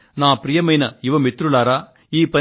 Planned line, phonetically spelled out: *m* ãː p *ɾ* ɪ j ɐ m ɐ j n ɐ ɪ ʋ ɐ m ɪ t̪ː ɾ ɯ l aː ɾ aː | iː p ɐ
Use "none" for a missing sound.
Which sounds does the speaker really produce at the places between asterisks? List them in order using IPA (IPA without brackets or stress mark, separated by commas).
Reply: n, ɾ